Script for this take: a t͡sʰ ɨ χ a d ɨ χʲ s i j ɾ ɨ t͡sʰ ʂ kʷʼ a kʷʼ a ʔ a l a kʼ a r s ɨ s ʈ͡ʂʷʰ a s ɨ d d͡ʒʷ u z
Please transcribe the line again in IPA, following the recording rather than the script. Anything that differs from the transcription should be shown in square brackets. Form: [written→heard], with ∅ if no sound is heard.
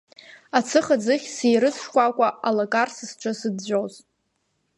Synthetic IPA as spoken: a t͡sʰ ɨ χ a [d→d͡z] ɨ χʲ s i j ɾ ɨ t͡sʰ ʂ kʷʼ a kʷʼ a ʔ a l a kʼ a r s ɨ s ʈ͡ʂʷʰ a s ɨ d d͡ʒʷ [u→o] z